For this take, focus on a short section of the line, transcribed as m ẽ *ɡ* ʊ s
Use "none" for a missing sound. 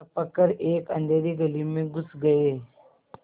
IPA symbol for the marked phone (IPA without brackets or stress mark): ɡ